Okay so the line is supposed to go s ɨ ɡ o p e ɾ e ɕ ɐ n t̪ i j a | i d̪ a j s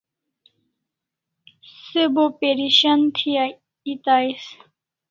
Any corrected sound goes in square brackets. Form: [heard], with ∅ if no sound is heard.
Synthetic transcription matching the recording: s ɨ [b] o p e ɾ [i] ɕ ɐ n [t̪ʰ] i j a | i [t̪] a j s